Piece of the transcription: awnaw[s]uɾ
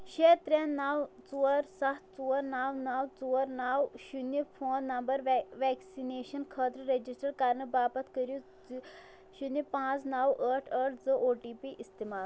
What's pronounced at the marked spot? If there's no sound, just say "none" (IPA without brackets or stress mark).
t͡s